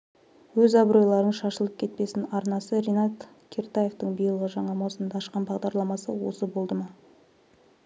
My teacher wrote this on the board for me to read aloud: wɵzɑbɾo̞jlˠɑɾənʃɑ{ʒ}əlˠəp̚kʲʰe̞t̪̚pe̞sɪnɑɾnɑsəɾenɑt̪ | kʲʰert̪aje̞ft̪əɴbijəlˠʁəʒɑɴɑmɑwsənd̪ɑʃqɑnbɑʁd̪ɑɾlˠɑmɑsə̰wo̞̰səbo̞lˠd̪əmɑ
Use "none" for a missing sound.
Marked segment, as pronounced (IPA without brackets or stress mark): ʃ